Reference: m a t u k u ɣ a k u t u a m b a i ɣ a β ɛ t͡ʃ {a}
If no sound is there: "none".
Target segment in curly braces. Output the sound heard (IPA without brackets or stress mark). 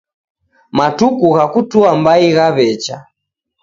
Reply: a